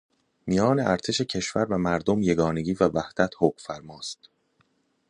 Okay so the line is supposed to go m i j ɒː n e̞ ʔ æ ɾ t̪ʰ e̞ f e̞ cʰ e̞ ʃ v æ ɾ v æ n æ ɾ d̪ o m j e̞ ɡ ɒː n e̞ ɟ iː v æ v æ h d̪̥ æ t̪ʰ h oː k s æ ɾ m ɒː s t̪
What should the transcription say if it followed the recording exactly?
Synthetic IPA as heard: m i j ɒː n e̞ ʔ æ ɾ t̪ʰ e̞ ʃ e̞ cʰ e̞ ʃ v æ ɾ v æ m æ ɾ d̪ o m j e̞ ɡ ɒː n e̞ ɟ iː v æ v æ h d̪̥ æ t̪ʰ h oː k f æ ɾ m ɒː s t̪